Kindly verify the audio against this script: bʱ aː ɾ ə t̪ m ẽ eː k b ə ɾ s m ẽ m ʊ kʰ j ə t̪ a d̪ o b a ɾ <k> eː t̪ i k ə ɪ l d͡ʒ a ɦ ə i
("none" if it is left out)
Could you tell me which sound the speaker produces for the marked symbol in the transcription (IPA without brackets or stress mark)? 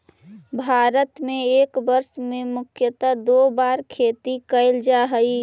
kʰ